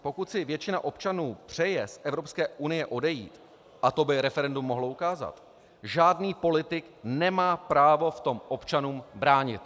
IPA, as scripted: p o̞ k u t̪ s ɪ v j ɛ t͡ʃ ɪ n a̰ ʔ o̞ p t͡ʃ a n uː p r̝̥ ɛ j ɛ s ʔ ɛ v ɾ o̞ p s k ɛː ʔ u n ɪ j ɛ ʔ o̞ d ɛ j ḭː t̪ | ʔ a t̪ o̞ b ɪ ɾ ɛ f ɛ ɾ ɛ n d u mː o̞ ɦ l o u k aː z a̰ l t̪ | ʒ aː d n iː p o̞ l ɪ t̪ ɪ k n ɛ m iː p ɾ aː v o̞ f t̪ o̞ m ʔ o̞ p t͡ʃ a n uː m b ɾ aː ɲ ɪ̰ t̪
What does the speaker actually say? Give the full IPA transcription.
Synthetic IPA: p o̞ k u t̪ s ɪ v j ɛ t͡ʃ ɪ n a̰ ʔ o̞ p t͡ʃ a n uː p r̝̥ ɛ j ɛ s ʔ ɛ v ɾ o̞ p s k ɛː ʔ u n ɪ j ɛ ʔ o̞ d ɛ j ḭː t̪ | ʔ a t̪ o̞ b ɪ ɾ ɛ f ɛ ɾ ɛ n d u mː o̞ ɦ l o u k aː z a̰ t̪ | ʒ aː d n iː p o̞ l ɪ t̪ ɪ k n ɛ m aː p ɾ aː v o̞ f t̪ o̞ m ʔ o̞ p t͡ʃ a n uː m b ɾ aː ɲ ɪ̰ t̪